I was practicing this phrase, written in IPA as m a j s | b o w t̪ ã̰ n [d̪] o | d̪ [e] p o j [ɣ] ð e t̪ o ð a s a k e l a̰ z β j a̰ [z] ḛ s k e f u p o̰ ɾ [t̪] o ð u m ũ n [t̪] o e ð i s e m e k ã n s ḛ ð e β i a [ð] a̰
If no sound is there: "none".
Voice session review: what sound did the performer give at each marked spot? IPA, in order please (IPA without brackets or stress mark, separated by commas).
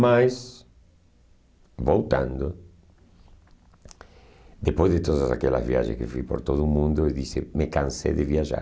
d̪, e, z, ʒ, t̪, d̪, ʒ